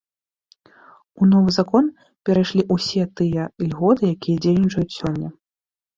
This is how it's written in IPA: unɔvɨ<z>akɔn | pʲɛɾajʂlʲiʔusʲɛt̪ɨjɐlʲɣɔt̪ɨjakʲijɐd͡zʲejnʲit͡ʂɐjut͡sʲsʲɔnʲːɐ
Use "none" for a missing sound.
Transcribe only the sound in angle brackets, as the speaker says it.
z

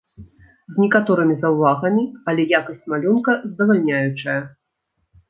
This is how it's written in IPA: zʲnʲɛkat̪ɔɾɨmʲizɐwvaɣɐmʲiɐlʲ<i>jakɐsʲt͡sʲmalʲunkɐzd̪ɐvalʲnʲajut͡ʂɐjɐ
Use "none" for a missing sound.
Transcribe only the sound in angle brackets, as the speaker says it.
ɛ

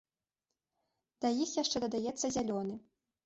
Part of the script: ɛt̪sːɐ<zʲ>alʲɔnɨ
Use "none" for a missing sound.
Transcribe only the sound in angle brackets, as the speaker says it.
zʲ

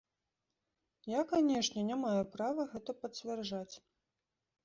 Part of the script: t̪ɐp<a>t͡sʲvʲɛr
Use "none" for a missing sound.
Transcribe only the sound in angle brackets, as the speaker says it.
ɐ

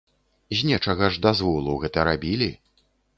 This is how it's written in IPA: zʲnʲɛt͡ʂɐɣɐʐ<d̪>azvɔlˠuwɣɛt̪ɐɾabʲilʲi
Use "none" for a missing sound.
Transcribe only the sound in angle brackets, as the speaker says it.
d̪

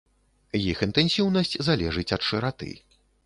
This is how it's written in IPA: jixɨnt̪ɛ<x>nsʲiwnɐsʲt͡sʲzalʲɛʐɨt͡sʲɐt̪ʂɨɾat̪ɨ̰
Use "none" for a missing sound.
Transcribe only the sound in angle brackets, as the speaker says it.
none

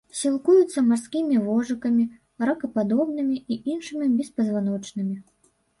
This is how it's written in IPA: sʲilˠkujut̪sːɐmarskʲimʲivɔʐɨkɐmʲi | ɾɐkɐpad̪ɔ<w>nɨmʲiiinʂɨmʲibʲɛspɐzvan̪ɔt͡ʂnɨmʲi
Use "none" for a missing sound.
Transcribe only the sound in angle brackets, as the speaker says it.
b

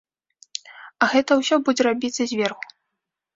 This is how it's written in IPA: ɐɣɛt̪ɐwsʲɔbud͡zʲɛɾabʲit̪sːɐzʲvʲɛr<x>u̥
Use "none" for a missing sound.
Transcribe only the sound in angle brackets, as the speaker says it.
x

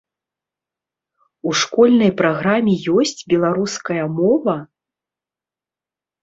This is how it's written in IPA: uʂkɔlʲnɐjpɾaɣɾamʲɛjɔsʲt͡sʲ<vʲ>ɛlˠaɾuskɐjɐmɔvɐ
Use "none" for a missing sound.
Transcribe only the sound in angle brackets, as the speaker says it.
bʲ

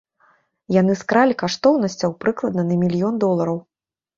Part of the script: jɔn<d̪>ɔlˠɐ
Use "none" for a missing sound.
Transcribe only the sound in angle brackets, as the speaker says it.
d̪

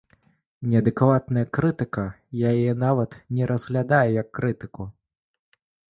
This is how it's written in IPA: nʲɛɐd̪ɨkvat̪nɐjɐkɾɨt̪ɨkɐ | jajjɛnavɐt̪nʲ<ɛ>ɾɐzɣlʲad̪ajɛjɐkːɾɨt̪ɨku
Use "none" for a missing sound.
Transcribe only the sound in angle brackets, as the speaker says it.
ɛ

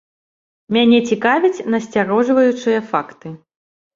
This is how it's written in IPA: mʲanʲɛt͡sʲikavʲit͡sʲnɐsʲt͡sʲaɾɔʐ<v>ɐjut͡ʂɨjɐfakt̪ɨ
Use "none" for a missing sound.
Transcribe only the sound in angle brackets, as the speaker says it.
v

